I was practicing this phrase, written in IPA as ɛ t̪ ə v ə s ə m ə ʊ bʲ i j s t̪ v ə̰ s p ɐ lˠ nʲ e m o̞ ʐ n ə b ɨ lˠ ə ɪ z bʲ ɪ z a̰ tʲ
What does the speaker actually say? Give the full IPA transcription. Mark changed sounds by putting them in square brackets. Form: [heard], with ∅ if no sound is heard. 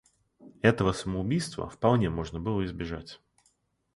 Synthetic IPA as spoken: ɛ t̪ ə v ə s ə m ə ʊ bʲ i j s t̪ v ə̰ [f] p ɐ lˠ nʲ e m o̞ ʐ n ə b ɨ lˠ ə ɪ z bʲ ɪ [ʐ] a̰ tʲ